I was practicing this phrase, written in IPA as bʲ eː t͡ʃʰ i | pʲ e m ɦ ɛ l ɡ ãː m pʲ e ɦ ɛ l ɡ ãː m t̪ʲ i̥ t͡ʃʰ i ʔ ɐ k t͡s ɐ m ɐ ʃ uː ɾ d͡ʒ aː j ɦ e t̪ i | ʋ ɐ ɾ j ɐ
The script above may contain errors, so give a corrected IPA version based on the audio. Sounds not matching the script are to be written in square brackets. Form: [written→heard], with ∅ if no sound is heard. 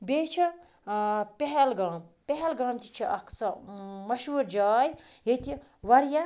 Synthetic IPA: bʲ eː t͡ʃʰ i | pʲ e [m→∅] ɦ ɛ l ɡ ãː m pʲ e ɦ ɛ l ɡ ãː m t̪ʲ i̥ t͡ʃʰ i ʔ ɐ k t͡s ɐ m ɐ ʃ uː ɾ d͡ʒ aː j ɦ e t̪ i | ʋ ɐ ɾ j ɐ

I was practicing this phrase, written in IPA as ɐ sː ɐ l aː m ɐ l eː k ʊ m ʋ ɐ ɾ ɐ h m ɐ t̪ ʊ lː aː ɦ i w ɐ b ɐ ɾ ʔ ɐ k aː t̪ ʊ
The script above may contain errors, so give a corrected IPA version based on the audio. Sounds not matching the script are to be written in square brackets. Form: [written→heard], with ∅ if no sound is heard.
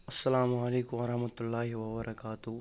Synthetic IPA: ɐ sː ɐ l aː m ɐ l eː k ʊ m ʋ ɐ ɾ ɐ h m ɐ t̪ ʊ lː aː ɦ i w ɐ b ɐ ɾ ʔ ɐ k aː t̪ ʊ

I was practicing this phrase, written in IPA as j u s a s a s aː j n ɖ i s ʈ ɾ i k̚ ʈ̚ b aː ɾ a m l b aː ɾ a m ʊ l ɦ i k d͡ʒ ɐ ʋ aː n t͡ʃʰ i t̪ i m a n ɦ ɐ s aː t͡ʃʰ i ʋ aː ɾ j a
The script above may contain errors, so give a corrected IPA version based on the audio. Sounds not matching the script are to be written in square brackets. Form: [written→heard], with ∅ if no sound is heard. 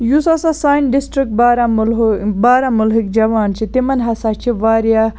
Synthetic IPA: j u s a s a s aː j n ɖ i s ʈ ɾ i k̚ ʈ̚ b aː ɾ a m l b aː ɾ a m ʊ l ɦ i k d͡ʒ ɐ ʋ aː n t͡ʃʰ i t̪ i m [a→ɐ] n ɦ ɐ s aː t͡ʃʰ i ʋ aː ɾ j a

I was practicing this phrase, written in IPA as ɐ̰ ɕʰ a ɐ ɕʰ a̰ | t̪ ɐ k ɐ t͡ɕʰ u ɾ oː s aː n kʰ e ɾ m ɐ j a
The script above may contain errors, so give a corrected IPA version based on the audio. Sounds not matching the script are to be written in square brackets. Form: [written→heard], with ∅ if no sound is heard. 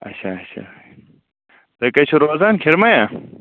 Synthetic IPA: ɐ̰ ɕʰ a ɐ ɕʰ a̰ | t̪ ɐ k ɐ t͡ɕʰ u ɾ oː [s→z] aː n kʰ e ɾ m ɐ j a

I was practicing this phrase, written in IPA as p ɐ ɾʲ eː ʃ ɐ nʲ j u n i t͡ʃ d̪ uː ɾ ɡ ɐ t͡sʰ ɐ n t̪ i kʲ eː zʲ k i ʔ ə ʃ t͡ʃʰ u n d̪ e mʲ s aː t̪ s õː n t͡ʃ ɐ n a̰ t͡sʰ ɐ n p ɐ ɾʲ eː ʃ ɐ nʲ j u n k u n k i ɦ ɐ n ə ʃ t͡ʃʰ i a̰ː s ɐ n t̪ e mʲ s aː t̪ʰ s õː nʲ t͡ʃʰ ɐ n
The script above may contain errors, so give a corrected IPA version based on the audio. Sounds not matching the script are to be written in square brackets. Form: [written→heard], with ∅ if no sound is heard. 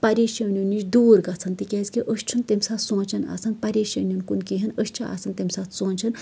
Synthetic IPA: p ɐ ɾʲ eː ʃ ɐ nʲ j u n i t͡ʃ d̪ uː ɾ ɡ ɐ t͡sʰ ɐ n t̪ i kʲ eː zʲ k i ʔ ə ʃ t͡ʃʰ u n [d̪→t̪] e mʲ s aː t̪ s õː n t͡ʃ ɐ n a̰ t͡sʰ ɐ n p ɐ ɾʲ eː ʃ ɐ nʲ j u n k u n k i ɦ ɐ n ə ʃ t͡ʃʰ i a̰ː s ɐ n t̪ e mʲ s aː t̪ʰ s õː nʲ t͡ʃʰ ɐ n

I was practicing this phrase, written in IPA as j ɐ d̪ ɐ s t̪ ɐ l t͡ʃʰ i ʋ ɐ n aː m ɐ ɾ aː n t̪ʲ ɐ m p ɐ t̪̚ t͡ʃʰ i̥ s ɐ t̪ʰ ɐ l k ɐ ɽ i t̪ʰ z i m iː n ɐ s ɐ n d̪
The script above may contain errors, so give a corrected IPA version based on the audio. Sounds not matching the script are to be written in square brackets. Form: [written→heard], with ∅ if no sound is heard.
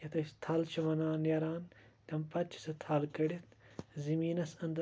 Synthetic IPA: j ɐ [d̪→t̪] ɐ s [t̪→t̪ʰ] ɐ l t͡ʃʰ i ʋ ɐ n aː [m→n] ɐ ɾ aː n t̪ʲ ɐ m p ɐ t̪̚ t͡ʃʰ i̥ s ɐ t̪ʰ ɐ l k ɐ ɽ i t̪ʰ z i m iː n ɐ s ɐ n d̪

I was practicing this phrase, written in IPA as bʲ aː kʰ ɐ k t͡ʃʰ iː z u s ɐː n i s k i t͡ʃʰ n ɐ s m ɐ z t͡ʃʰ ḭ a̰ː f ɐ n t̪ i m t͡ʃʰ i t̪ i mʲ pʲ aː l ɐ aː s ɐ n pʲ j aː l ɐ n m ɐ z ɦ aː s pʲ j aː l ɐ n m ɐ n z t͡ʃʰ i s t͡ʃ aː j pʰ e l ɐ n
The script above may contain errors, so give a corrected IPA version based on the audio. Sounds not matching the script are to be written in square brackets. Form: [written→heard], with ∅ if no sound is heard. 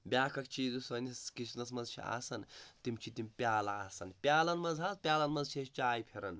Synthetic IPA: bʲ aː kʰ ɐ k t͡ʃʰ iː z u s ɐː n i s k i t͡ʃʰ n ɐ s m ɐ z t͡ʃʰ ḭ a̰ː [f→s] ɐ n t̪ i m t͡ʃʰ i t̪ i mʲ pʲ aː l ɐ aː s ɐ n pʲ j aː l ɐ n m ɐ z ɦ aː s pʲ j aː l ɐ n m ɐ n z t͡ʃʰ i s t͡ʃ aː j pʰ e [l→ɾ] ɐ n

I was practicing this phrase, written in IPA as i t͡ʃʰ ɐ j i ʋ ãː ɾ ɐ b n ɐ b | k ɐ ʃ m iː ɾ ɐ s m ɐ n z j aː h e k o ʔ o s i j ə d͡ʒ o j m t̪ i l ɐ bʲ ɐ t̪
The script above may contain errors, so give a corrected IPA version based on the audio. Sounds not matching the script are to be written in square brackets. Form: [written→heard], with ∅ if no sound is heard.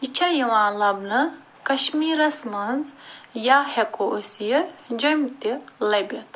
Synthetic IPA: i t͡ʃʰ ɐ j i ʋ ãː [ɾ→l] ɐ b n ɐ [b→∅] | k ɐ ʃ m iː ɾ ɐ s m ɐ n z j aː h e k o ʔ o s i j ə d͡ʒ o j m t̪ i l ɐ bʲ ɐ t̪

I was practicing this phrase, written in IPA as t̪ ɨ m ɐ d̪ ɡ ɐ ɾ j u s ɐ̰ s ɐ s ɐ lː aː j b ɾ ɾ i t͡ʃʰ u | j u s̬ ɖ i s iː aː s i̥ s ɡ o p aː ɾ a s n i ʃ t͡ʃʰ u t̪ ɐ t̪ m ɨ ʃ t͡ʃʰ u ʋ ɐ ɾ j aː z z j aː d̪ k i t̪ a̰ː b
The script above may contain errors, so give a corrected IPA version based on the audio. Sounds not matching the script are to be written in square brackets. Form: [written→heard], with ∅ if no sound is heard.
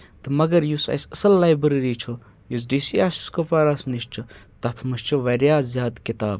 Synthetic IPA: t̪ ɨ m ɐ [d̪→∅] ɡ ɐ ɾ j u s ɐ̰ s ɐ s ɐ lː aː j b ɾ ɾ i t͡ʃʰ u | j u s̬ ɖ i s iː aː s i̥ s [ɡ→k] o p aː ɾ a s n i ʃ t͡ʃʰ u t̪ ɐ [t̪→t̪ʰ] m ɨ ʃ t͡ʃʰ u ʋ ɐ ɾ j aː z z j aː d̪ k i t̪ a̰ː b

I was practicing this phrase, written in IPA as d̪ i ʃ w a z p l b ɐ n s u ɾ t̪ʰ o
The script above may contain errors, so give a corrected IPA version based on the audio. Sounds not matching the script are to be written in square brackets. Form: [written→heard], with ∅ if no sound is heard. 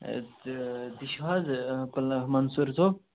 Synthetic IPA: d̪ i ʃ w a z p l [b→m] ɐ n s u ɾ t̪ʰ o

